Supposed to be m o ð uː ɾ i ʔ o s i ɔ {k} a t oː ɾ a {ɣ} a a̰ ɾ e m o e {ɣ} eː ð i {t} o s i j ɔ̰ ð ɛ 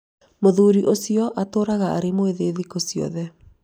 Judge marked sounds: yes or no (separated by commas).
no, yes, no, no